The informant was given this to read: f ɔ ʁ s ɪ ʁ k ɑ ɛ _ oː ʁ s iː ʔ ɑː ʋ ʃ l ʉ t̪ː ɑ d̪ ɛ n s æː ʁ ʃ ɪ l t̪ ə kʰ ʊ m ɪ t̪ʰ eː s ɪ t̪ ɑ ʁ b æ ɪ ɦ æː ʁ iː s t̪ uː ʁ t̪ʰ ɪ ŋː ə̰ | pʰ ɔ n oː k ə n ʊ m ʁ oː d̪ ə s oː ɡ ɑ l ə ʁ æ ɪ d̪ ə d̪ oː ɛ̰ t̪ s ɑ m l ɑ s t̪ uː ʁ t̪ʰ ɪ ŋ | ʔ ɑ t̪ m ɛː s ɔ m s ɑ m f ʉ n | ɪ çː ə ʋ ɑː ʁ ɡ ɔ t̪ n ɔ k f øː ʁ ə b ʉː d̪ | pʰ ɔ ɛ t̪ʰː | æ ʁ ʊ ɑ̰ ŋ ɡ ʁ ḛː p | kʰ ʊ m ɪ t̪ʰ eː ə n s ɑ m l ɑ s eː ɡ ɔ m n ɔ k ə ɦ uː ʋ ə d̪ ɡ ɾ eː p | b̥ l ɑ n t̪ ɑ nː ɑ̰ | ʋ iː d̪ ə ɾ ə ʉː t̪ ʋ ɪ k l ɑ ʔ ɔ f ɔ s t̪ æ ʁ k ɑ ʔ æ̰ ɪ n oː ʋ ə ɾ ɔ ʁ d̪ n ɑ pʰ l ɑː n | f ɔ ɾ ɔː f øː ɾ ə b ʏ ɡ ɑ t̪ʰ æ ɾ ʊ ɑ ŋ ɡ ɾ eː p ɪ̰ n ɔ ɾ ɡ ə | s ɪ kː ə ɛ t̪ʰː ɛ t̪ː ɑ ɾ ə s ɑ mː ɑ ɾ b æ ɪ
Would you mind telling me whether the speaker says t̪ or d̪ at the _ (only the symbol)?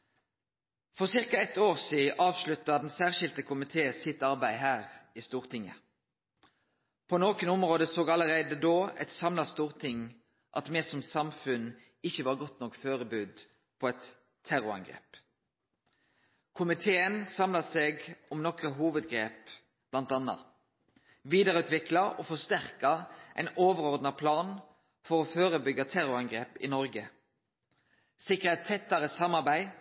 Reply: t̪